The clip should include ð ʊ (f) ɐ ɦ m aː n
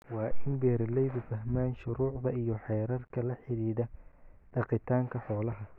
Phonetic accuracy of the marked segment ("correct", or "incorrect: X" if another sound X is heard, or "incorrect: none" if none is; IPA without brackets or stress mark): correct